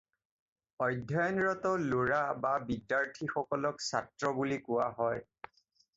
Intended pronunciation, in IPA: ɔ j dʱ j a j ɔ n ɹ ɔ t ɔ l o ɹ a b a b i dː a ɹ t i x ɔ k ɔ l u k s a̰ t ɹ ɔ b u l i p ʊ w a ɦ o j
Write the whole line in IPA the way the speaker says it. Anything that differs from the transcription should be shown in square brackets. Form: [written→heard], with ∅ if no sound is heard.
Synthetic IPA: ɔ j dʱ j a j ɔ n ɹ ɔ t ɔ l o ɹ a b a b i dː a ɹ [t→tʰ] i x ɔ k ɔ l [u→ɔ] k s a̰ t ɹ ɔ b u l i [p→k] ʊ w a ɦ [o→ɔ] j